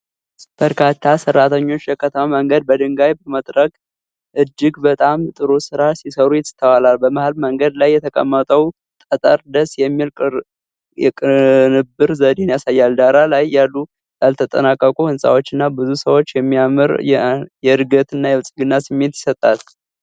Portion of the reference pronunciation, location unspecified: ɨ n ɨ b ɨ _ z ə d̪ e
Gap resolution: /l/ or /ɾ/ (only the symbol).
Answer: ɾ